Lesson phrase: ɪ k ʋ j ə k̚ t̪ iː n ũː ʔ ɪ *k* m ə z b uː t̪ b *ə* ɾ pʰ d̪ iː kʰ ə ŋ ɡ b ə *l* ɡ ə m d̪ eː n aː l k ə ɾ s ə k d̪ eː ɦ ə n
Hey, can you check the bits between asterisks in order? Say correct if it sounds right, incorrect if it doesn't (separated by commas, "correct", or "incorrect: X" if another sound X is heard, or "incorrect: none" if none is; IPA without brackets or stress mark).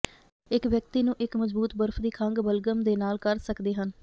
correct, correct, correct